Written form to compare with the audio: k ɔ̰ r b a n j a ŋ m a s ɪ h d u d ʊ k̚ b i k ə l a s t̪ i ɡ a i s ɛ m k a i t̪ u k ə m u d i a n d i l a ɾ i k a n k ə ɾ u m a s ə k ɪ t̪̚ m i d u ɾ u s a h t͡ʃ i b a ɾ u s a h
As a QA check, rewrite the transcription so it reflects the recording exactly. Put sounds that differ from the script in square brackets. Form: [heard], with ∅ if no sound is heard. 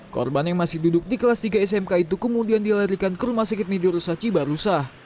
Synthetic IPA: k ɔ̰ r b a n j a ŋ m a s ɪ h d u d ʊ k̚ [d] i k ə l a s t̪ i ɡ a [ɛ] s ɛ m k a i t̪ u k ə m u d i a n d i l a ɾ i k a n k ə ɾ u m a s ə k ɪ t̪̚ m i d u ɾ u s a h t͡ʃ i b a ɾ u s a h